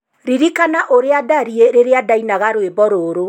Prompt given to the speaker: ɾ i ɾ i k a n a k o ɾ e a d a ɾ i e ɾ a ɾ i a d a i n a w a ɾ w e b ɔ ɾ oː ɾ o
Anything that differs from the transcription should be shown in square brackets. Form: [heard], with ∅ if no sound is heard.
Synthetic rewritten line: ɾ i ɾ i k a n a [ʔ] o ɾ e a d a ɾ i e ɾ [e] ɾ [e] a d a i n a [ɣ] a ɾ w e b ɔ ɾ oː ɾ o